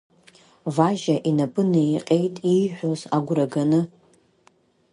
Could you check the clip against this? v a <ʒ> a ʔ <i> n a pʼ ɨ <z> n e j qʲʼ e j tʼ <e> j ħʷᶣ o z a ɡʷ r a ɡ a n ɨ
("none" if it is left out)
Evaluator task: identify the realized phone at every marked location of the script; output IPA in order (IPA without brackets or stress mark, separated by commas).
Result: ʒ, i, none, i